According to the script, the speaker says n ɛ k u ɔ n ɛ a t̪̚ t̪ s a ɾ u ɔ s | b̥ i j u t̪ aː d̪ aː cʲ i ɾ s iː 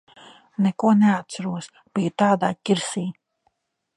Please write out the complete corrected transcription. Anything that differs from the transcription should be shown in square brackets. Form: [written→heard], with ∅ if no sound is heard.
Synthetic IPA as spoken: n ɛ k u ɔ n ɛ a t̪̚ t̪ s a ɾ u ɔ s | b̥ i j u t̪ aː d̪ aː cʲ i ɾ s iː